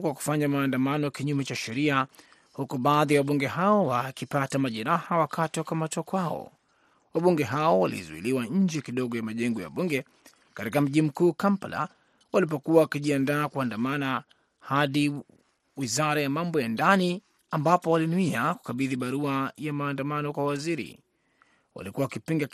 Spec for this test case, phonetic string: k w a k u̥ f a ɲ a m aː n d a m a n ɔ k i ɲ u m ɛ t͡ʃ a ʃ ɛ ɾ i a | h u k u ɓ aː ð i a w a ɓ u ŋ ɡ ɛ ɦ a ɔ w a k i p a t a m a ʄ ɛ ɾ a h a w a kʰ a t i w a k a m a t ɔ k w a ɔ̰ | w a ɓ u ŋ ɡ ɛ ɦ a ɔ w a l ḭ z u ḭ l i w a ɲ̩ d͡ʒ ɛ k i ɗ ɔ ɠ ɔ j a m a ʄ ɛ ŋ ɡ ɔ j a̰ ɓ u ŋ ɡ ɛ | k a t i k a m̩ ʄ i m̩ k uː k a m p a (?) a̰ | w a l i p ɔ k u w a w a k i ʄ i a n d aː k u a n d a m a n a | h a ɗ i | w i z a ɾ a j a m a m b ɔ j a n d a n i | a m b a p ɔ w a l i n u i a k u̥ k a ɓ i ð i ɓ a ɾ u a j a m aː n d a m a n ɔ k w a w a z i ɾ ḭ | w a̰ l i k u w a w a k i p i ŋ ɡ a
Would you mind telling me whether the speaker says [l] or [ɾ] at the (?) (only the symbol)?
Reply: l